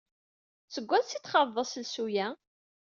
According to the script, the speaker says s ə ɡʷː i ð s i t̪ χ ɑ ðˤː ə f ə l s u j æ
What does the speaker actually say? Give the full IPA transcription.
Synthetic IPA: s ə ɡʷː æ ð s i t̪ χ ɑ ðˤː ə s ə l s u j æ